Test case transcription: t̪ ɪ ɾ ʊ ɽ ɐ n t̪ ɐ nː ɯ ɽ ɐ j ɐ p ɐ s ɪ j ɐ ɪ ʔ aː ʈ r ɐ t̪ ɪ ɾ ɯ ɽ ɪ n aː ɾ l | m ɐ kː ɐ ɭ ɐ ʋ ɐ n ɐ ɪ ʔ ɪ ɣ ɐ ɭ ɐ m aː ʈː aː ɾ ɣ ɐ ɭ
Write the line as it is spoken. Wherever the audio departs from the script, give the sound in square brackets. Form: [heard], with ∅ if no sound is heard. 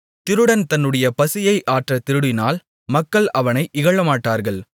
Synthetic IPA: t̪ ɪ ɾ [ɯ] ɽ ɐ n t̪ ɐ nː ɯ ɽ ɐ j ɐ p ɐ s ɪ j ɐ ɪ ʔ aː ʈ r ɐ t̪ ɪ ɾ ɯ ɽ ɪ n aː [∅] l | m ɐ kː ɐ ɭ ɐ ʋ ɐ n ɐ ɪ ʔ ɪ ɣ ɐ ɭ ɐ m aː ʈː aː ɾ ɣ ɐ ɭ